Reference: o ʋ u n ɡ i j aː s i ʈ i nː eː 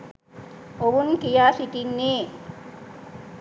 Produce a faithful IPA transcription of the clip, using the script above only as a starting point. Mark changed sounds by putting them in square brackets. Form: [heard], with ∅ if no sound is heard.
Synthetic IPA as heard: o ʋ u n [k] i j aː s i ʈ i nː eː